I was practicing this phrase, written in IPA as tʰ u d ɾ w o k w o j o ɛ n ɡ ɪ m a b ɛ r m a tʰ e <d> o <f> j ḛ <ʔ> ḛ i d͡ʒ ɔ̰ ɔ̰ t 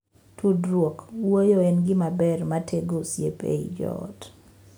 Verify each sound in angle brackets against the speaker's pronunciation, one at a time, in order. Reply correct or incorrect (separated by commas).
incorrect, incorrect, incorrect